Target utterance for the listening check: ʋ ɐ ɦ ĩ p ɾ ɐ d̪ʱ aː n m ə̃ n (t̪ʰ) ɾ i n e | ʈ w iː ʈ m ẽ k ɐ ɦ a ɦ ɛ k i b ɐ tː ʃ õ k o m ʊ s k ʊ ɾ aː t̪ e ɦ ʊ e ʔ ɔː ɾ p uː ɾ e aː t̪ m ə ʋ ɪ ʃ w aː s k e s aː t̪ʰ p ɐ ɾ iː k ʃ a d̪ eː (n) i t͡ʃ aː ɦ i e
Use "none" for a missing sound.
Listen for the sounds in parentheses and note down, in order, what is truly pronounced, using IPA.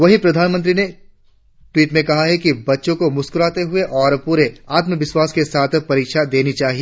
t̪, n

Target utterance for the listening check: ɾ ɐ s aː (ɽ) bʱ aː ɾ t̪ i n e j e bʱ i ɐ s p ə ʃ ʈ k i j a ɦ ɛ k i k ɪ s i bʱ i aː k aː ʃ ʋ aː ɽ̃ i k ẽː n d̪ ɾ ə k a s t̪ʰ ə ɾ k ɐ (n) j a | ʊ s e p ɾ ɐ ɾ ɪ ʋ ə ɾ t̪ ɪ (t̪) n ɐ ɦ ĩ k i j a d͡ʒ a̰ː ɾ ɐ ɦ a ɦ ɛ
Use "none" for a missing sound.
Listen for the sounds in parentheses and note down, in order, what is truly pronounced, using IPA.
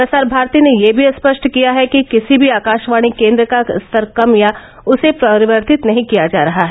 ɾ, m, t̪

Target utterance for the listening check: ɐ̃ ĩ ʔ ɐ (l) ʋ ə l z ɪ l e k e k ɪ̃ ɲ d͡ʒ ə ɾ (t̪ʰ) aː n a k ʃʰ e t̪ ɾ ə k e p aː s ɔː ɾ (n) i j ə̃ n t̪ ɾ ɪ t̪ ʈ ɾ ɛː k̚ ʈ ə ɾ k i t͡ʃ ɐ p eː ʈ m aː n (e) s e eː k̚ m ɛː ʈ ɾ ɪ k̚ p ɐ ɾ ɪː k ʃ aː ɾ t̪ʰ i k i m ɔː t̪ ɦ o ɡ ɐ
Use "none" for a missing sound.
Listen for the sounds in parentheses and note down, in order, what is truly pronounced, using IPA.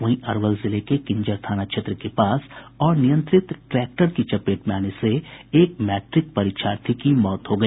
ɾ, t̪ʰ, n, e

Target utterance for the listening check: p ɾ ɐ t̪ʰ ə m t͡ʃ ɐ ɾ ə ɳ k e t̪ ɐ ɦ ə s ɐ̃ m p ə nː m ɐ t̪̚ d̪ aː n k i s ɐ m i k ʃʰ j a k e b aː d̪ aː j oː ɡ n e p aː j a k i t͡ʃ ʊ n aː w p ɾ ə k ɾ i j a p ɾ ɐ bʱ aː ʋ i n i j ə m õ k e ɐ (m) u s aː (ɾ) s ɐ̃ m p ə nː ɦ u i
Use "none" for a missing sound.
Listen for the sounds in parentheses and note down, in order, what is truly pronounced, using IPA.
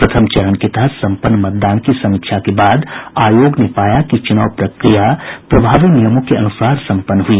n, ɾ

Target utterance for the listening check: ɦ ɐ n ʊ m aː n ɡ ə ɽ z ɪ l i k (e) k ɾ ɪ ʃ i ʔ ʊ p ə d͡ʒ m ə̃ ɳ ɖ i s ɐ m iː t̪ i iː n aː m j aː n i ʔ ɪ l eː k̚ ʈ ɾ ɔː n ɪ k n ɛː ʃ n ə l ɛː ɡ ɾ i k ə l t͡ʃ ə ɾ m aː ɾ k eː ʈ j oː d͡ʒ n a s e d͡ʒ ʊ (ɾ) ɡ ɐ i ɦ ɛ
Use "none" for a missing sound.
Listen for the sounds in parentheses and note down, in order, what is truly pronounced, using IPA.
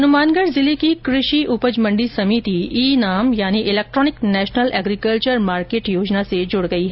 i, ɽ

